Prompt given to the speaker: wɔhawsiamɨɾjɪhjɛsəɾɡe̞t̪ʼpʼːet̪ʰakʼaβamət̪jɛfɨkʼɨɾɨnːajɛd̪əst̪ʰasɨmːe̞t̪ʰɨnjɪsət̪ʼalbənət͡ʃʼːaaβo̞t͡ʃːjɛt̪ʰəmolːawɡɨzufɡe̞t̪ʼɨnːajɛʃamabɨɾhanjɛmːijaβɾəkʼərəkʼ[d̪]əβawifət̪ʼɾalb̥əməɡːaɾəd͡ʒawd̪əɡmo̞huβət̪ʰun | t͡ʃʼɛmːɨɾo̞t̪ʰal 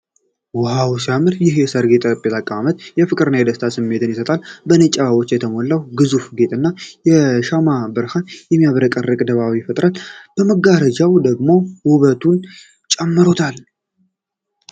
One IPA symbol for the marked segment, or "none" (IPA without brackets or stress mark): d̪